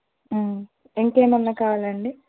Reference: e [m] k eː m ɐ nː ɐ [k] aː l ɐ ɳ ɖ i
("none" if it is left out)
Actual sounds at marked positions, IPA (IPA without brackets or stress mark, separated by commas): ŋ, k